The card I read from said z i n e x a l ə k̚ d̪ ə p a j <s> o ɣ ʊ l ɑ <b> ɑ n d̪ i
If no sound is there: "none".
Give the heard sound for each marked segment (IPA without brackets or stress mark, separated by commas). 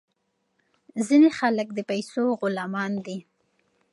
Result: s, m